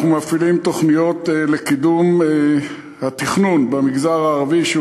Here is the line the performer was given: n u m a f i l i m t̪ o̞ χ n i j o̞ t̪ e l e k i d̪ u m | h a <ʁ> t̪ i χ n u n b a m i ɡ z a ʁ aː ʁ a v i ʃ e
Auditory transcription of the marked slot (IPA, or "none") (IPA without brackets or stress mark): none